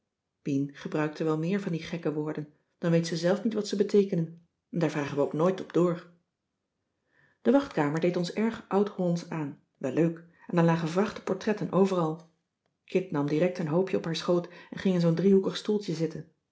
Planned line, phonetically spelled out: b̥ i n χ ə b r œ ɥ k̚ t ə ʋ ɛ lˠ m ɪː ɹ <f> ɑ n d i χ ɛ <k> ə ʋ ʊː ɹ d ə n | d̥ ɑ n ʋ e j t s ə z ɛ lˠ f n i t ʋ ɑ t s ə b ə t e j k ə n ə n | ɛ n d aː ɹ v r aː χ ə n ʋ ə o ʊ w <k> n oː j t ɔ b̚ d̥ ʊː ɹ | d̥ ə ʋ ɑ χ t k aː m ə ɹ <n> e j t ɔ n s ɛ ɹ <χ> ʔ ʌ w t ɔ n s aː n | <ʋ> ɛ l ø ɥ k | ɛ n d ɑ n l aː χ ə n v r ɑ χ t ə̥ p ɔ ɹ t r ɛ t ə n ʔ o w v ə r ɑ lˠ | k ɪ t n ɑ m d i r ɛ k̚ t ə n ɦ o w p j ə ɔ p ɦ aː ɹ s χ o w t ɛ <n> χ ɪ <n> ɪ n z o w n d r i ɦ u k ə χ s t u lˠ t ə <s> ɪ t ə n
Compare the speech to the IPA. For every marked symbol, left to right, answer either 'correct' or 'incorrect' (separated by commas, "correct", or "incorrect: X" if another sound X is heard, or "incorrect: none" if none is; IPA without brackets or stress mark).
incorrect: v, correct, correct, incorrect: d, correct, correct, correct, incorrect: ŋ, incorrect: z